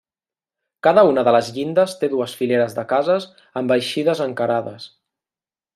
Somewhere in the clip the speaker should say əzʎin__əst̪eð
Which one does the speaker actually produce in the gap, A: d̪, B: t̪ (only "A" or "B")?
A